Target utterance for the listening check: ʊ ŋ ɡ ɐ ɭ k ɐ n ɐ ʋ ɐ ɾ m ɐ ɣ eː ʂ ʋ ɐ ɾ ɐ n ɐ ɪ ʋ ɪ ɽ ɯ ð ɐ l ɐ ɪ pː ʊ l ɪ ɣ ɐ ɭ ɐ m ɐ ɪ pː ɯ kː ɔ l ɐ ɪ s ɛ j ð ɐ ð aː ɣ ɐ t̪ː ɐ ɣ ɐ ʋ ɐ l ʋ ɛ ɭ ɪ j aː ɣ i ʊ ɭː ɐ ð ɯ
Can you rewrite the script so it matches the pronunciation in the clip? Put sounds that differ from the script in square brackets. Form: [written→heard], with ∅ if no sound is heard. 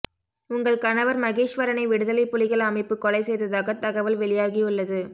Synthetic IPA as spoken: ʊ ŋ ɡ ɐ ɭ k ɐ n ɐ ʋ ɐ ɾ m ɐ ɣ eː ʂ ʋ ɐ ɾ ɐ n ɐ ɪ ʋ ɪ ɽ ɯ ð ɐ l ɐ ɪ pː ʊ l ɪ ɣ ɐ ɭ ɐ m ɐ ɪ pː ɯ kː ɔ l ɐ ɪ s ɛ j ð ɐ ð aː ɣ ɐ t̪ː ɐ ɣ ɐ ʋ ɐ l ʋ ɛ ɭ ɪ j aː ɣ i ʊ ɭː ɐ ð ɯ

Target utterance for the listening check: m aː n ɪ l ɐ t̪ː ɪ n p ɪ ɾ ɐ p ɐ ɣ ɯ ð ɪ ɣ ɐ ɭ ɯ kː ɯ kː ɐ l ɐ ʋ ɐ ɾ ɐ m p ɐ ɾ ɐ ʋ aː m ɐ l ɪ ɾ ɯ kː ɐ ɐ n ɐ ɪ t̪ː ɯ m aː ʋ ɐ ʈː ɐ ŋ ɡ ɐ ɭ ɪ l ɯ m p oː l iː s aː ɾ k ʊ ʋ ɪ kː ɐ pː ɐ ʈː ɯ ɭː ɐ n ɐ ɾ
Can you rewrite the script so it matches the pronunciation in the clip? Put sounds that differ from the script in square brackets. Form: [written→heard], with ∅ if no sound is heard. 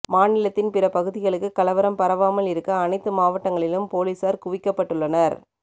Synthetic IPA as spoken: m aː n ɪ l ɐ t̪ː ɪ n p ɪ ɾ ɐ p ɐ ɣ ɯ ð ɪ ɣ ɐ ɭ ɯ kː ɯ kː ɐ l ɐ ʋ ɐ ɾ ɐ m p ɐ ɾ ɐ ʋ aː m ɐ l ɪ ɾ ɯ kː ɐ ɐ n ɐ ɪ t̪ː ɯ m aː ʋ ɐ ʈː ɐ ŋ ɡ ɐ ɭ ɪ l ɯ m p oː l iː s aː ɾ k ʊ ʋ ɪ kː ɐ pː ɐ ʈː ɯ ɭː ɐ n ɐ ɾ

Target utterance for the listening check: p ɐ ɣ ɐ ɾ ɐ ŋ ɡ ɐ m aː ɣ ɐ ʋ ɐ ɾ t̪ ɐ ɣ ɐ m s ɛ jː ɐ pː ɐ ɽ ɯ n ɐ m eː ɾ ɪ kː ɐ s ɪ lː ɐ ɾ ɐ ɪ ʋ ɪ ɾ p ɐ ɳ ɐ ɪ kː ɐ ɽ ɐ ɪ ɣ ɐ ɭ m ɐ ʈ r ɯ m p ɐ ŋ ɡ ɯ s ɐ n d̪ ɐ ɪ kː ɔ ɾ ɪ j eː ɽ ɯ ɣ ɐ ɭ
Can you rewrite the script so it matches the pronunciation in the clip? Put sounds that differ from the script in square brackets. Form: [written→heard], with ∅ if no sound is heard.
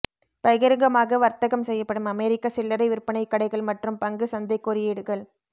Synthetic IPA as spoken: p ɐ ɣ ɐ ɾ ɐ ŋ ɡ ɐ m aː ɣ ɐ ʋ ɐ ɾ t̪ ɐ ɣ ɐ m s ɛ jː ɐ pː ɐ ɽ ɯ [n→m] ɐ m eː ɾ ɪ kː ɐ s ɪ lː ɐ ɾ ɐ ɪ ʋ ɪ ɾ p ɐ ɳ ɐ ɪ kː ɐ ɽ ɐ ɪ ɣ ɐ ɭ m ɐ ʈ r ɯ m p ɐ ŋ ɡ ɯ s ɐ n d̪ ɐ ɪ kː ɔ ɾ ɪ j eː ɽ ɯ ɣ ɐ ɭ

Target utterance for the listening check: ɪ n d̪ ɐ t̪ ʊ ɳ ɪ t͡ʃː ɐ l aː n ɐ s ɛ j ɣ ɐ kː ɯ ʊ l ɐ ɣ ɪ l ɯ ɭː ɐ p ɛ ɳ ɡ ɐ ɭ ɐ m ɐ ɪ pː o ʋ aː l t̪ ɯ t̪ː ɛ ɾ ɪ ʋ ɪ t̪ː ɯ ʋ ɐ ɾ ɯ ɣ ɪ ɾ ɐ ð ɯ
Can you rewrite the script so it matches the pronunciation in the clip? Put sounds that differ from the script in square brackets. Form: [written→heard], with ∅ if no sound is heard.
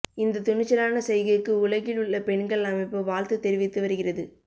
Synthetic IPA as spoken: ɪ n d̪ ɐ t̪ ʊ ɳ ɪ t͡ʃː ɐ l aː n ɐ s ɛ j ɣ ɐ kː ɯ ʊ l ɐ ɣ ɪ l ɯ ɭː ɐ p ɛ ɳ ɡ ɐ ɭ ɐ m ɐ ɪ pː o ʋ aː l t̪ ɯ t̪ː ɛ ɾ ɪ ʋ ɪ t̪ː ɯ ʋ ɐ ɾ ɯ ɣ ɪ [ɾ→r] ɐ ð ɯ

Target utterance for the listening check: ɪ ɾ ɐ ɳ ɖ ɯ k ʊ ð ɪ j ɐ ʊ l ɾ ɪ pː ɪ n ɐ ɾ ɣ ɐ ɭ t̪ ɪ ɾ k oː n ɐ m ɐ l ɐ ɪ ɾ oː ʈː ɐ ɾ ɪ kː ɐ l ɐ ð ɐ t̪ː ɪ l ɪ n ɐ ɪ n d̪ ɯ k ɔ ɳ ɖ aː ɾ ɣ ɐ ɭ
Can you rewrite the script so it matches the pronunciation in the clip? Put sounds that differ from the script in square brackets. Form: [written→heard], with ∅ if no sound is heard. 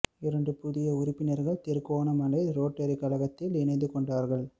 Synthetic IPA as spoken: ɪ ɾ ɐ ɳ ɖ ɯ [k→p] ʊ ð ɪ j ɐ ʊ [l→∅] ɾ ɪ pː ɪ n ɐ ɾ ɣ ɐ ɭ t̪ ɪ ɾ k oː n ɐ m ɐ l ɐ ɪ ɾ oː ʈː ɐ ɾ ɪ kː ɐ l ɐ [ð→ɣ] ɐ t̪ː ɪ l ɪ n ɐ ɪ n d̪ ɯ k ɔ ɳ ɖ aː ɾ ɣ ɐ ɭ

